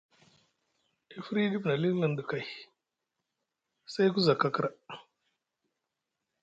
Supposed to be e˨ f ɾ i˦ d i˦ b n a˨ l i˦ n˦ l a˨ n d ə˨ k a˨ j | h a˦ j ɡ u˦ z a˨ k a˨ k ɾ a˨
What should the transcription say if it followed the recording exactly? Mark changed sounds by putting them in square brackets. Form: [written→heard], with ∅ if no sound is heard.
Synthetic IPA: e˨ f ɾ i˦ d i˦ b n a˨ l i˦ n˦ l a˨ n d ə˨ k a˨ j | [h→s] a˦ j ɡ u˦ z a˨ k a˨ k ɾ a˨